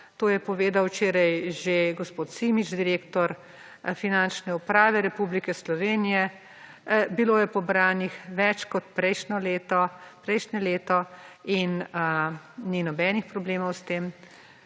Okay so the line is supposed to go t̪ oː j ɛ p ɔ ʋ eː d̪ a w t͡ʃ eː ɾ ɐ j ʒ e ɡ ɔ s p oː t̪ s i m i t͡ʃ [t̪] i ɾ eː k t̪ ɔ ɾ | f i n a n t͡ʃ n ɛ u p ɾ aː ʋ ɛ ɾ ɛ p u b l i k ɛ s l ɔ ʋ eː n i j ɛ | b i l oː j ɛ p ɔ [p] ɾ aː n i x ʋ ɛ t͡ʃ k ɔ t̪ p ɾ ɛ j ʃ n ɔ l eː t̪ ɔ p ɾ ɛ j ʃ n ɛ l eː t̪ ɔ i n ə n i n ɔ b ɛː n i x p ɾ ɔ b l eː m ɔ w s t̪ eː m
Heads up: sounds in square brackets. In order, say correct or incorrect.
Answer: incorrect: d̪, incorrect: b

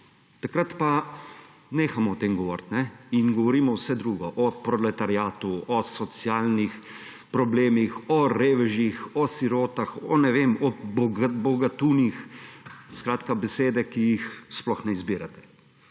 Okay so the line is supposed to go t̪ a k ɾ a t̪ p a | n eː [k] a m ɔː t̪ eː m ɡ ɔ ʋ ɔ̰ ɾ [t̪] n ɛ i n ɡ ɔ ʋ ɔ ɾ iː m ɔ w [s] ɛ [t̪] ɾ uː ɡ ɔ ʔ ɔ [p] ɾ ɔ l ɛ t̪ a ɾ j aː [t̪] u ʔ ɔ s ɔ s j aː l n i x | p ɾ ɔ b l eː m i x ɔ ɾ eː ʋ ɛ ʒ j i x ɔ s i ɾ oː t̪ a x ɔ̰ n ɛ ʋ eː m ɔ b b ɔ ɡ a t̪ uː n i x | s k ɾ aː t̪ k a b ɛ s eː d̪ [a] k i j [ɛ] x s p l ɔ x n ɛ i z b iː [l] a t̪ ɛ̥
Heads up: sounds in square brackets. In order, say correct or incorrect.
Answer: incorrect: x, correct, correct, incorrect: d̪, correct, correct, incorrect: ɛ, incorrect: i, incorrect: ɾ

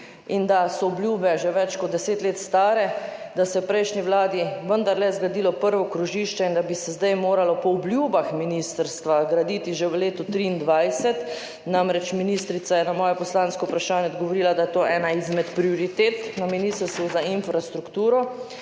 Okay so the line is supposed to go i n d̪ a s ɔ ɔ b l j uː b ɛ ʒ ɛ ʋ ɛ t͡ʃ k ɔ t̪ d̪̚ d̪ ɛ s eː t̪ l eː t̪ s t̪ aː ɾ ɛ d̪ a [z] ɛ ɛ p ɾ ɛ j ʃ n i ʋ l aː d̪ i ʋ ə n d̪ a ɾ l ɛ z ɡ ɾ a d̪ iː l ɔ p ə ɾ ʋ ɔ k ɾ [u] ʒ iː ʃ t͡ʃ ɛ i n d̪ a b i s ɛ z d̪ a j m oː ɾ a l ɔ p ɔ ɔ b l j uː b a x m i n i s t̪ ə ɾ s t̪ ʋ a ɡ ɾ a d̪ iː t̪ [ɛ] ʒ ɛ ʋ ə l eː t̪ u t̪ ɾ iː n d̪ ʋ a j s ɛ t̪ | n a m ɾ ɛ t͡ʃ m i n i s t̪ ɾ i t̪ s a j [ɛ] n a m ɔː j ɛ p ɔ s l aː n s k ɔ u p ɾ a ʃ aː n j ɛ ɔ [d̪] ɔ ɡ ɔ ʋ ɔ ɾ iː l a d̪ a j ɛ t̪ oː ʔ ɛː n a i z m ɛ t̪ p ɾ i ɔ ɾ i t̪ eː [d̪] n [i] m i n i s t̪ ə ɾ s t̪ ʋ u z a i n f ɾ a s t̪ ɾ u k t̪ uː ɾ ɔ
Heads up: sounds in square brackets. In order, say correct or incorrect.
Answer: incorrect: s, correct, incorrect: i, correct, correct, incorrect: t̪, incorrect: a

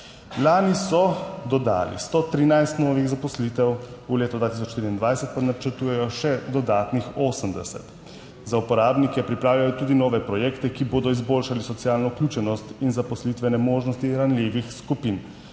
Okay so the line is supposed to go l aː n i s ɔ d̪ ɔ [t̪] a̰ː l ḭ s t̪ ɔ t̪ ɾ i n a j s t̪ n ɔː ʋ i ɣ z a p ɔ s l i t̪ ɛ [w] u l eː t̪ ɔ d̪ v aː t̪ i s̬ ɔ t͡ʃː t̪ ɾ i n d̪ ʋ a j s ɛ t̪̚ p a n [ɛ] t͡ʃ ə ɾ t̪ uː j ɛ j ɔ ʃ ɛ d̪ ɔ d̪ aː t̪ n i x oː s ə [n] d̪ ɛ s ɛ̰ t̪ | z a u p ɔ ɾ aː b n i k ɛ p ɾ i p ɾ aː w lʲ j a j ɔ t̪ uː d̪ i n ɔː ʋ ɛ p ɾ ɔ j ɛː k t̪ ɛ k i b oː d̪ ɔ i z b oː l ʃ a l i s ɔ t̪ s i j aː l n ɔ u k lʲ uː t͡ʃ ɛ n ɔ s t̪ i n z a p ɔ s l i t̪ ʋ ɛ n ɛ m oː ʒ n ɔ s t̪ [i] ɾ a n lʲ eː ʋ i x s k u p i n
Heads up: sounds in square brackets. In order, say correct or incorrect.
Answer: incorrect: d̪, correct, incorrect: a, incorrect: m, correct

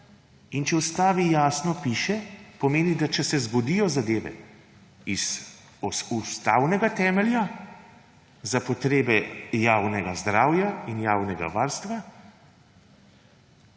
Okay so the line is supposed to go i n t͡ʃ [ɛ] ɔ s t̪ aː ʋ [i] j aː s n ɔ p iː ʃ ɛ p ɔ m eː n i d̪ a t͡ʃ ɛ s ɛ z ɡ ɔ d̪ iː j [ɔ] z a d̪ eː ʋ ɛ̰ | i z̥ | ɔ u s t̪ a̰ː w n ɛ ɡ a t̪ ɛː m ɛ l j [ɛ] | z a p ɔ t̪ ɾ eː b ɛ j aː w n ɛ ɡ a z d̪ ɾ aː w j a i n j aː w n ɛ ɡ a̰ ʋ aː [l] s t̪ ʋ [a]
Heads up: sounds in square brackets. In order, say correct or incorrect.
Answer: correct, correct, correct, incorrect: a, incorrect: ɾ, correct

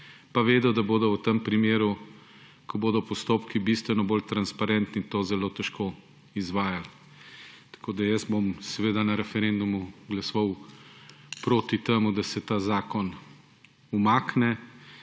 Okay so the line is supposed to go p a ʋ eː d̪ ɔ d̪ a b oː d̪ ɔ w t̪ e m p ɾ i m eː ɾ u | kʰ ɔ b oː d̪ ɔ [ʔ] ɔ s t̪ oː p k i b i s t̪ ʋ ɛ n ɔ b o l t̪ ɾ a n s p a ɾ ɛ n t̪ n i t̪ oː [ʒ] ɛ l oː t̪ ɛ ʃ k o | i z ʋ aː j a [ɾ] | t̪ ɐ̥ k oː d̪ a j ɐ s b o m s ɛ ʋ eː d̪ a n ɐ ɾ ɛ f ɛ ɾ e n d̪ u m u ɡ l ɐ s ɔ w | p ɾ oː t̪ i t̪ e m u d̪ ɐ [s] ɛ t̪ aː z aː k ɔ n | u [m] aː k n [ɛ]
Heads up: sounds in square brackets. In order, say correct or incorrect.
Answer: incorrect: p, incorrect: z, incorrect: l, correct, correct, correct

